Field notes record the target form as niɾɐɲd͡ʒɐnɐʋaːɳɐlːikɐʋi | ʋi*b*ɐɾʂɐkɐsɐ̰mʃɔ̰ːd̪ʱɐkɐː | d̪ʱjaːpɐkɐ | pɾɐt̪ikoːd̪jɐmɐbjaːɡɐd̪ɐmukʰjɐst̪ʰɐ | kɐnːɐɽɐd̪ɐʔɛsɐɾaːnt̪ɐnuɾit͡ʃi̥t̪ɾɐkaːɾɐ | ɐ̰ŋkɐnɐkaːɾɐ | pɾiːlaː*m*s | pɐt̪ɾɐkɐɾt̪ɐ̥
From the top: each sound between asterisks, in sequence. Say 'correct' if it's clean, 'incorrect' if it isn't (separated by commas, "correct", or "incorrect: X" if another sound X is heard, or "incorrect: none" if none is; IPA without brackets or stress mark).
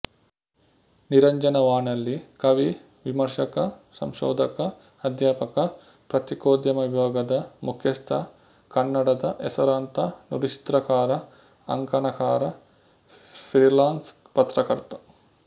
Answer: incorrect: m, incorrect: n